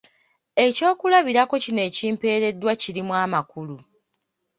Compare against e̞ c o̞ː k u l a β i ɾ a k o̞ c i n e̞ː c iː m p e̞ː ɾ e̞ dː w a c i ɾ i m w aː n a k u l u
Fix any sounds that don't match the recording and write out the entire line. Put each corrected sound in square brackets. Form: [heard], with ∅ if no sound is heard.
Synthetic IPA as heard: e̞ c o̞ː k u l a β i ɾ a k o̞ c i n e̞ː c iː m p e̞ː ɾ e̞ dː w a c i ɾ i m w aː [m] a k u l u